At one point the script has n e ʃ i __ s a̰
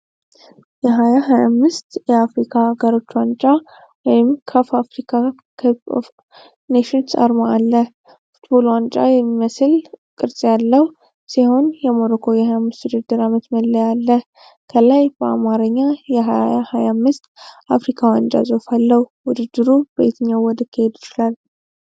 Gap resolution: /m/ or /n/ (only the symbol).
n